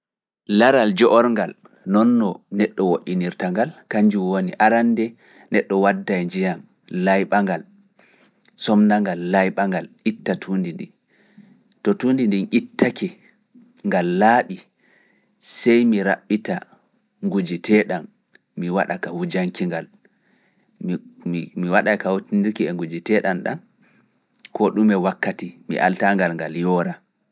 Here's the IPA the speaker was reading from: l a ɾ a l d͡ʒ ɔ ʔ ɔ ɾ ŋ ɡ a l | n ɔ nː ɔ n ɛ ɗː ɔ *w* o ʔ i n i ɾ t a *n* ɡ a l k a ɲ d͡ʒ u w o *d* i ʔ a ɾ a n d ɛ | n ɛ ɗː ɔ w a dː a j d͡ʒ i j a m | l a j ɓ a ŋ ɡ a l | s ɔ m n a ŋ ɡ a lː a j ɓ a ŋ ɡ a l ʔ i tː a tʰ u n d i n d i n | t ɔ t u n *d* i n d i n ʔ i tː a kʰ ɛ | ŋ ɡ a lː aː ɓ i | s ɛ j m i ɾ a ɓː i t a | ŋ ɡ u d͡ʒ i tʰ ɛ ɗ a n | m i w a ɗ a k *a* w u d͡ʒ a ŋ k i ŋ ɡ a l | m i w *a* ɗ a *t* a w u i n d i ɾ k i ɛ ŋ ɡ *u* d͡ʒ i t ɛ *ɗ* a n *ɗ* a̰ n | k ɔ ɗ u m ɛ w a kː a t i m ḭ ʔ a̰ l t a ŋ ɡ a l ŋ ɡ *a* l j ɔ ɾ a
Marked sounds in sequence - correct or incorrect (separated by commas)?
correct, incorrect, incorrect, correct, correct, correct, incorrect, correct, correct, correct, correct